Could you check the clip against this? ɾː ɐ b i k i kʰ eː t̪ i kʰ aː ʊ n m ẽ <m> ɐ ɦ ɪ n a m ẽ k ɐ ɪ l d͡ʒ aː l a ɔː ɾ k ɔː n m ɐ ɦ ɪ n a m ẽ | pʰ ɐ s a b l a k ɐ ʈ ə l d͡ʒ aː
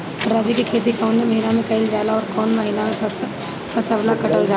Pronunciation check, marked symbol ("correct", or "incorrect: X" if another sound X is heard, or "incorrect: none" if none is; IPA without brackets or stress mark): correct